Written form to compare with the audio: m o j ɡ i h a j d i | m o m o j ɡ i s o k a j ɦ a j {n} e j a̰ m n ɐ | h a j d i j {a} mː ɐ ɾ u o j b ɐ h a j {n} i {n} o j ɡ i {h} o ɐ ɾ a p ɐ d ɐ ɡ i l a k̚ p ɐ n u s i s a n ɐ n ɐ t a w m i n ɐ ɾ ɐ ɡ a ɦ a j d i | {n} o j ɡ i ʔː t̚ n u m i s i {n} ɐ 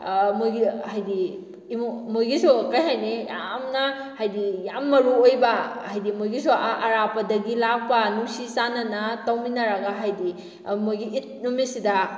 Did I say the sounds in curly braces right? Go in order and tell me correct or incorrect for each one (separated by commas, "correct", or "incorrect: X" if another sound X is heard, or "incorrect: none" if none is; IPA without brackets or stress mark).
correct, correct, incorrect: d, incorrect: m, incorrect: s, incorrect: m, incorrect: d